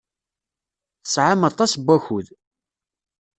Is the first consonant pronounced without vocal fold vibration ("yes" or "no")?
yes